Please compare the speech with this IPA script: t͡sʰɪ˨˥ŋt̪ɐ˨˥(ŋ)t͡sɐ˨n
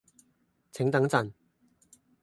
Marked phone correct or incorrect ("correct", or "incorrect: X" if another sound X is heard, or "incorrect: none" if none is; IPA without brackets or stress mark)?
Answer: correct